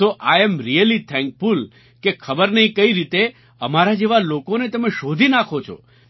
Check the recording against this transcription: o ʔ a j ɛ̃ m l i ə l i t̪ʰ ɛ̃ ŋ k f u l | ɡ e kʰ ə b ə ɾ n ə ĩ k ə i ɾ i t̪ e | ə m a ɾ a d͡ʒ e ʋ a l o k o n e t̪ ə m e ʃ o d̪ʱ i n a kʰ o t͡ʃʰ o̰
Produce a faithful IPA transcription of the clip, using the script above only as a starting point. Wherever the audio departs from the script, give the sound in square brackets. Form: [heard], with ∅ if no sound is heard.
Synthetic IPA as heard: o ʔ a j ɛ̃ m [ɾ] i ə l i t̪ʰ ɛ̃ ŋ k f u l | [k] e kʰ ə b ə ɾ n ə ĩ k ə i ɾ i t̪ e | ə m a ɾ a d͡ʒ e ʋ a l o k o n e t̪ ə m e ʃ o d̪ʱ i n a kʰ o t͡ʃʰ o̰